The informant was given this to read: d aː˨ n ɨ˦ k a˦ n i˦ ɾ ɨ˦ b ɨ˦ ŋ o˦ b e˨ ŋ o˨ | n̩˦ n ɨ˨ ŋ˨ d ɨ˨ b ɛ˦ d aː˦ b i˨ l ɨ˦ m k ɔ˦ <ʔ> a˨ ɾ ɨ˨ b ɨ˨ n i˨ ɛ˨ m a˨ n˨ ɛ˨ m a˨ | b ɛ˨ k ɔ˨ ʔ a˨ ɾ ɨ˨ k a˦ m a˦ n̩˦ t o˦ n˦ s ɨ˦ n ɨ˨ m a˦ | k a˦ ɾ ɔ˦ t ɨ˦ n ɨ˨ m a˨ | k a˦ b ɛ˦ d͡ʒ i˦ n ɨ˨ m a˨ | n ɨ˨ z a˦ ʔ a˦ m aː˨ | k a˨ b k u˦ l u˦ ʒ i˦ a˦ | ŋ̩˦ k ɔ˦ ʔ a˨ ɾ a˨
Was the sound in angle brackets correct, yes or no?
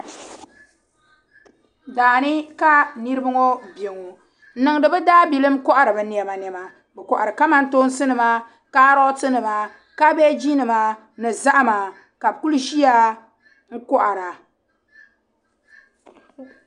yes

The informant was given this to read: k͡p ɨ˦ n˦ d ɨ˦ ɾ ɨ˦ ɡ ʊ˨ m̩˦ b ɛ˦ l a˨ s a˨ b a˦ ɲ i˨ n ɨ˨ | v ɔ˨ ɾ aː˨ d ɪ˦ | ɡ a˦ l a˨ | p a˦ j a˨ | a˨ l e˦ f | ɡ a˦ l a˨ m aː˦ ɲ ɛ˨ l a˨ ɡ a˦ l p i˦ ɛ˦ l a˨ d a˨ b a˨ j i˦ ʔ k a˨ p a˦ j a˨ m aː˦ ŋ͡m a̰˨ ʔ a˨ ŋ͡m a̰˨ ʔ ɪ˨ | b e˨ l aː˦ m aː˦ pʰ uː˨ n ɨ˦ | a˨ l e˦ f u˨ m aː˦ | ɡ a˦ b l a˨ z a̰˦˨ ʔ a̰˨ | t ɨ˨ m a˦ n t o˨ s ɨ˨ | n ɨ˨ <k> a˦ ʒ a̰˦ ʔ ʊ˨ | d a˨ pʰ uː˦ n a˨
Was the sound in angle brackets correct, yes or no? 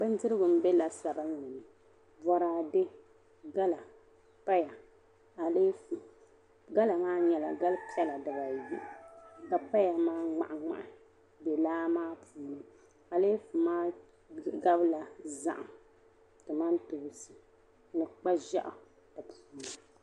no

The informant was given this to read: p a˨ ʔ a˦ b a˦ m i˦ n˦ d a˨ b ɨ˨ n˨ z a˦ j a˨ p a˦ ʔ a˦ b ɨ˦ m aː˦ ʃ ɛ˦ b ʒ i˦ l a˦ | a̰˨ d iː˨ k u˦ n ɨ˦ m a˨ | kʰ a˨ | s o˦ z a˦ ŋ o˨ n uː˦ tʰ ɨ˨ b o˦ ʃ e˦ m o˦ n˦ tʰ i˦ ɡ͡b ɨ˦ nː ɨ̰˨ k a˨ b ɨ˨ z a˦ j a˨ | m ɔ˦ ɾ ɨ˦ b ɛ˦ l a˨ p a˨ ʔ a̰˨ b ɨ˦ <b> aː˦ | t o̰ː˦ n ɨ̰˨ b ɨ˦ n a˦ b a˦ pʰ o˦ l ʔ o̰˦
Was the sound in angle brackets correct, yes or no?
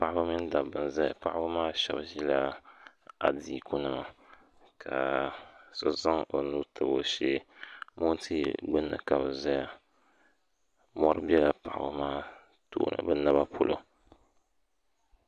no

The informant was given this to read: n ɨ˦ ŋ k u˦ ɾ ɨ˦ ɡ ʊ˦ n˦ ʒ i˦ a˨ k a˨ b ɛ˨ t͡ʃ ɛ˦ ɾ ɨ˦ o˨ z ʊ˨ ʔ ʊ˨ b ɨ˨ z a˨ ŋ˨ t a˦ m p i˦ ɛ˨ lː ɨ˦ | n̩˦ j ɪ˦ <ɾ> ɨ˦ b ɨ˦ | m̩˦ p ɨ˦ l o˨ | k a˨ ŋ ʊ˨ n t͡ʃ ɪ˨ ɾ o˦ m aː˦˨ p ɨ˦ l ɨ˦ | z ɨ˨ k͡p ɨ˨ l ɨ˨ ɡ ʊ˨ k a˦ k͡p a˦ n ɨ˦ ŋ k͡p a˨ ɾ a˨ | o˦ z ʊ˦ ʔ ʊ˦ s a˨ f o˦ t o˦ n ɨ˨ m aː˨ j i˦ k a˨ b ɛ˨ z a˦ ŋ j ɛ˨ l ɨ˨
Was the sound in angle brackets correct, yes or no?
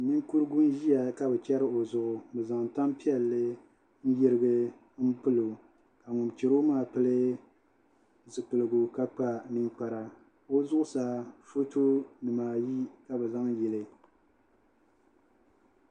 yes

